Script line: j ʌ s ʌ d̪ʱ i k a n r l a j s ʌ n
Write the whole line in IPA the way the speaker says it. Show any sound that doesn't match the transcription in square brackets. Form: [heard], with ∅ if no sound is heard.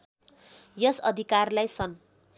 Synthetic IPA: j ʌ s ʌ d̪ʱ i k a [∅] r l a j s ʌ n

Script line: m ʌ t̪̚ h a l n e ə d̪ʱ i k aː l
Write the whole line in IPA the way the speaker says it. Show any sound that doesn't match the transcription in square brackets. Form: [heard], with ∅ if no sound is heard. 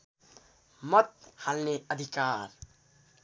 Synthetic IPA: m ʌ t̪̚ h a l n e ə d̪ʱ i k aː [ɾ]

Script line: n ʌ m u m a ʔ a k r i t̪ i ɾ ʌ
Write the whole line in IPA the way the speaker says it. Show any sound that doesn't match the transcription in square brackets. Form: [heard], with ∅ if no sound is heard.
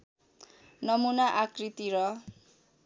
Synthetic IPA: n ʌ m u [n] a ʔ a k r i t̪ i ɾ ʌ

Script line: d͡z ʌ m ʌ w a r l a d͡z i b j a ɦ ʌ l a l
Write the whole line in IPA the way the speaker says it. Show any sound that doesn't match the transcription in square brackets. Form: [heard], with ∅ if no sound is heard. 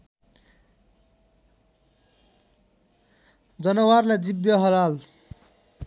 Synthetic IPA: d͡z ʌ [n] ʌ w a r l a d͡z i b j [ʌ] ɦ ʌ l a l

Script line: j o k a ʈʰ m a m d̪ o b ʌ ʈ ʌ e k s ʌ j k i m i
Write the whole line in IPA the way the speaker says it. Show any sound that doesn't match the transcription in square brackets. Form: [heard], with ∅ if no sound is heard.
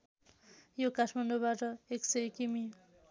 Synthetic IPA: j o k a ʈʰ m a [n] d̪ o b [a] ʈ ʌ e k s ʌ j k i m i

